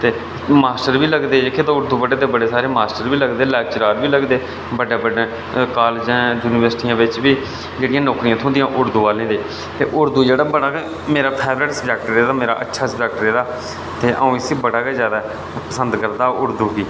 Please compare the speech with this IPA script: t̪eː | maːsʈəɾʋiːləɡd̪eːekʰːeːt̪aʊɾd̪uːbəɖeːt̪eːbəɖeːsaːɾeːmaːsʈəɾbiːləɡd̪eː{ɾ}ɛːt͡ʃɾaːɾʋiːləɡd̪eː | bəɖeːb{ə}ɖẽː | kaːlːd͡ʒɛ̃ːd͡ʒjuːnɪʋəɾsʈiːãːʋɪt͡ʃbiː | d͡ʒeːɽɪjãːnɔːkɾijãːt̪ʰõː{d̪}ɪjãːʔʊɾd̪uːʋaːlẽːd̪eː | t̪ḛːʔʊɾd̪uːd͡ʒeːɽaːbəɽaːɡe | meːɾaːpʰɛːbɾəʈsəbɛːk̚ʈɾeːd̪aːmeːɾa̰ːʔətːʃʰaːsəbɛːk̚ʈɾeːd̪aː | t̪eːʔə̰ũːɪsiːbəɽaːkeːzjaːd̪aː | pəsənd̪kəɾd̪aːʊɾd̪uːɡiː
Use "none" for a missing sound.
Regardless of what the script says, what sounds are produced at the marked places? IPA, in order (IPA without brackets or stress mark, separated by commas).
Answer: l, ə, d̪